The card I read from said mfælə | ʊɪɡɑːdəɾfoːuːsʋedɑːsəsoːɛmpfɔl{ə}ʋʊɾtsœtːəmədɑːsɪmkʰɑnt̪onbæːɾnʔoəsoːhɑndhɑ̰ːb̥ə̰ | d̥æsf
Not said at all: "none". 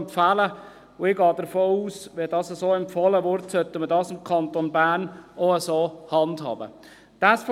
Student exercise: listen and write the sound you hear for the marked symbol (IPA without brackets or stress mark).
ə